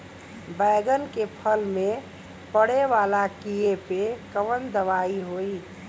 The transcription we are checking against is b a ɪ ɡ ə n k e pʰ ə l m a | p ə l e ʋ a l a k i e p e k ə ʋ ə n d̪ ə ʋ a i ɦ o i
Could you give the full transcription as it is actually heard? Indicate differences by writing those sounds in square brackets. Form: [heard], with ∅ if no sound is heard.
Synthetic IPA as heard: b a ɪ ɡ ə n k e pʰ ə l m [e] | p ə [ɽ] e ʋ a l a k i e p e k ə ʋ ə n d̪ ə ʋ a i ɦ o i